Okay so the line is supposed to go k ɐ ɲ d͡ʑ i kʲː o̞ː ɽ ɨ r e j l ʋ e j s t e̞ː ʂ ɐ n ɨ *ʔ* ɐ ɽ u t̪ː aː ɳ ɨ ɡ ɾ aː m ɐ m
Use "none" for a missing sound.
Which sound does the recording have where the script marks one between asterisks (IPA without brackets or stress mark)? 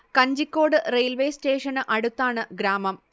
ʔ